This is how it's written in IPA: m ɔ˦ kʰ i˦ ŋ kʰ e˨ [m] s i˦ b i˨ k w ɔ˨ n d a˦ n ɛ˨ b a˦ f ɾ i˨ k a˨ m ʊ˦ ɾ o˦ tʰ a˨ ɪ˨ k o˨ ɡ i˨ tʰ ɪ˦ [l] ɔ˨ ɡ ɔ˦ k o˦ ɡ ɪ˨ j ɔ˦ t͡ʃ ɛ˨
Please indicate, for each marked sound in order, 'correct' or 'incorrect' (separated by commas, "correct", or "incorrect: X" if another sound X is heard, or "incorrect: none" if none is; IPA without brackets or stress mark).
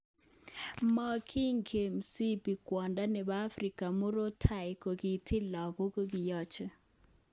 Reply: correct, correct